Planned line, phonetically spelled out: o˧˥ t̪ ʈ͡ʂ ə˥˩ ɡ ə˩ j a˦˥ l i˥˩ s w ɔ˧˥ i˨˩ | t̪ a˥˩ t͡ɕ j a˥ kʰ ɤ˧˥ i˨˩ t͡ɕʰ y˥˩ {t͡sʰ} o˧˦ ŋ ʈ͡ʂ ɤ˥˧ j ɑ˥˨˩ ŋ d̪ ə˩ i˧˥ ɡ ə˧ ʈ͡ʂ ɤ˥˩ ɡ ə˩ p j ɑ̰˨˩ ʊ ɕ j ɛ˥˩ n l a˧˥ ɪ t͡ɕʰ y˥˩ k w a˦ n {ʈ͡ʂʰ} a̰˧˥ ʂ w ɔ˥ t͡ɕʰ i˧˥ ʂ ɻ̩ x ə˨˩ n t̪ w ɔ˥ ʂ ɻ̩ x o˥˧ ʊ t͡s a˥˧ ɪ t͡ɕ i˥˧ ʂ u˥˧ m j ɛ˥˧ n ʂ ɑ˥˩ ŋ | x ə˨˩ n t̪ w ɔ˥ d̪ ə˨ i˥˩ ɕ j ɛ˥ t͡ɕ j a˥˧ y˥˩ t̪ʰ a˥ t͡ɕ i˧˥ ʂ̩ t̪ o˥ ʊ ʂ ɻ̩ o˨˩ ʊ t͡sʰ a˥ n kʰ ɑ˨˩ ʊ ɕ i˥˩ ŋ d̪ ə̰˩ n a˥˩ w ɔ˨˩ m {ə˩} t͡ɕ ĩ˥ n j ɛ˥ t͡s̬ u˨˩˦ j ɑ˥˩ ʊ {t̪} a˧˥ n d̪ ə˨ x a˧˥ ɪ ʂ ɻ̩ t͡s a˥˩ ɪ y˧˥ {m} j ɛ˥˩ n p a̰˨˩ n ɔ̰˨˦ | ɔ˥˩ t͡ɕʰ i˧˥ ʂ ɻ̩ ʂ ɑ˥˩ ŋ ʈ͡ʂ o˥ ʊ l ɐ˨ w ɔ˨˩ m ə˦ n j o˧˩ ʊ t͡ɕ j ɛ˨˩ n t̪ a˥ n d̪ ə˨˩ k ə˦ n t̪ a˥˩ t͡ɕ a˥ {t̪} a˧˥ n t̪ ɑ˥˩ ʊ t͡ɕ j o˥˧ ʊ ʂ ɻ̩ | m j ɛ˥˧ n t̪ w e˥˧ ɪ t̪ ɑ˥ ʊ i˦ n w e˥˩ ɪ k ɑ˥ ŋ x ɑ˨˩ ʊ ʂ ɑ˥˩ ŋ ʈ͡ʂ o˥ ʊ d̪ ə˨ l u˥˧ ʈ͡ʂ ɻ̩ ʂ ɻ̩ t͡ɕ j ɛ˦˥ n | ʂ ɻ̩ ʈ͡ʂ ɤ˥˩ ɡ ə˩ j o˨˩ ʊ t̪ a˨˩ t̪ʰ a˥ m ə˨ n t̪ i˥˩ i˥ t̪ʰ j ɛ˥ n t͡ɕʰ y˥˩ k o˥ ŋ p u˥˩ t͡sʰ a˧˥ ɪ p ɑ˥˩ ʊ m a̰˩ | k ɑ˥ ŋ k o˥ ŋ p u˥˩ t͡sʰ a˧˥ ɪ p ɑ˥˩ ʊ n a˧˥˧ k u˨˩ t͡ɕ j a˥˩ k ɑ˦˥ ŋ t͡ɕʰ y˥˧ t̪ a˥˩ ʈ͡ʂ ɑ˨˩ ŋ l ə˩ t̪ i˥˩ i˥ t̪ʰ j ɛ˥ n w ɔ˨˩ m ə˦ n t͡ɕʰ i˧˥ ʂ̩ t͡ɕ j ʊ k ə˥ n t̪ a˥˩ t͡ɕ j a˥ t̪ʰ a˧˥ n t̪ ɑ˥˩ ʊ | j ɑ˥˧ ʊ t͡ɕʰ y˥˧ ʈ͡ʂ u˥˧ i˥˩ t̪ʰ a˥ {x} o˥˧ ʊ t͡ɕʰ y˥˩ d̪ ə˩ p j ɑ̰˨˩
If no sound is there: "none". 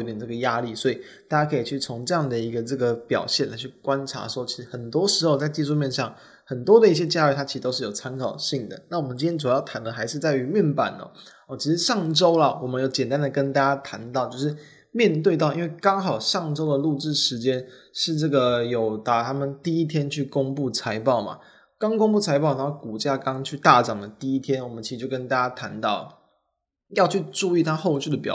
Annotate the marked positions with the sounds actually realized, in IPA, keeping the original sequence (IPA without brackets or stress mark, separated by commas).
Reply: t͡sʰ, ʈ͡ʂʰ, ə˦, t̪ʰ, m, t̪ʰ, x